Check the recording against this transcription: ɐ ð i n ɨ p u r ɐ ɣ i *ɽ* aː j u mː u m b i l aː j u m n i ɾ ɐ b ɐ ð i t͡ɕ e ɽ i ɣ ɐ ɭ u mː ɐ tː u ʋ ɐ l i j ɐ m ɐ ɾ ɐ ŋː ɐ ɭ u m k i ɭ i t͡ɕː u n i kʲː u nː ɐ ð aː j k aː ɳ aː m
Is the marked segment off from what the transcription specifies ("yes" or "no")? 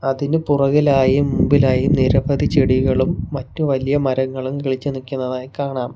yes